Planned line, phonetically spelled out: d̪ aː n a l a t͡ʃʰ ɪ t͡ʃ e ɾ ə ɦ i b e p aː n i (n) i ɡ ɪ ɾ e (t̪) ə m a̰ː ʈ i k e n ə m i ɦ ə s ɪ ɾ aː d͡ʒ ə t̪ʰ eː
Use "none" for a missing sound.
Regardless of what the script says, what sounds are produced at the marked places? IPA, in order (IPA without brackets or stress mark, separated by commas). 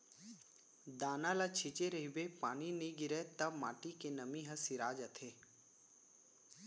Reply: n, t̪